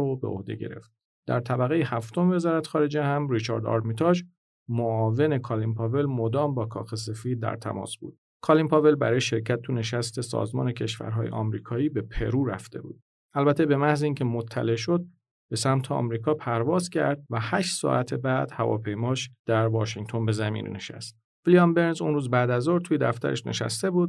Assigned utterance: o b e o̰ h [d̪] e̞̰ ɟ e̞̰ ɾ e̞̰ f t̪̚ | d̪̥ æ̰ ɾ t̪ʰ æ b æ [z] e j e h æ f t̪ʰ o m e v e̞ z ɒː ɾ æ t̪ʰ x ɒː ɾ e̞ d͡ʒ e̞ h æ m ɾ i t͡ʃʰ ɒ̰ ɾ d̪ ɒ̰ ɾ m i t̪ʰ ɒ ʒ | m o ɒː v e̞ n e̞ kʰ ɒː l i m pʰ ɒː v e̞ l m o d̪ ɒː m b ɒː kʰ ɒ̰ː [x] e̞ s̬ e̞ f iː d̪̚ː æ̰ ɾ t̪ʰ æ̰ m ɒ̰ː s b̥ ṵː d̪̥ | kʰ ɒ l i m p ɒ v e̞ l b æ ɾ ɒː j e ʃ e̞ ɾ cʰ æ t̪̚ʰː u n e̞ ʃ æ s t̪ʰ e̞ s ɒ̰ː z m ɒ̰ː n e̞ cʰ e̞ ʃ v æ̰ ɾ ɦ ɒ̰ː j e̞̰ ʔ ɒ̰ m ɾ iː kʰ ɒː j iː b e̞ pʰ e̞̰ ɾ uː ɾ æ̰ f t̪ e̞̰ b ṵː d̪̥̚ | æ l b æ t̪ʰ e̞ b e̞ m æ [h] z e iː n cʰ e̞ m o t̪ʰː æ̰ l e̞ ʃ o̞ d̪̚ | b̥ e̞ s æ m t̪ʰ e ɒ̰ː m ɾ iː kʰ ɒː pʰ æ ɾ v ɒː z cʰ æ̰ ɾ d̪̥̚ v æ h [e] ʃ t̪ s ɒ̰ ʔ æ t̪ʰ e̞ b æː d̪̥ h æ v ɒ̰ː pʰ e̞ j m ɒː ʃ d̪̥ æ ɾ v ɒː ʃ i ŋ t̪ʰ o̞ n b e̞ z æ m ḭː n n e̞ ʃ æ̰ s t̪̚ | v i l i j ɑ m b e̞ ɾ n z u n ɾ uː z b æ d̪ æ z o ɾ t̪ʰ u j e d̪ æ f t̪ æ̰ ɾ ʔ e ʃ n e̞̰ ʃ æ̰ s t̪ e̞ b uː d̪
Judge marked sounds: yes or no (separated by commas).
yes, no, yes, yes, no